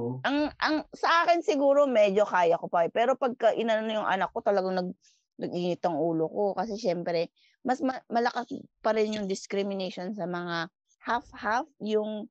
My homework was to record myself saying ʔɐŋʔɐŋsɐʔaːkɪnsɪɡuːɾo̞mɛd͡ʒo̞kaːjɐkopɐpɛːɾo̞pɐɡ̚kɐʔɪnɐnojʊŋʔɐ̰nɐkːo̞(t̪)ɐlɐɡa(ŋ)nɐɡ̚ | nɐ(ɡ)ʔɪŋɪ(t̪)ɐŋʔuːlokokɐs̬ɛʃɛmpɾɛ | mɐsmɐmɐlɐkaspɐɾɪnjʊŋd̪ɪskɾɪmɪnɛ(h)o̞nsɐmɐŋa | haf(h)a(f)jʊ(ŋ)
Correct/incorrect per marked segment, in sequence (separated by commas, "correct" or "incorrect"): correct, correct, correct, correct, incorrect, correct, correct, correct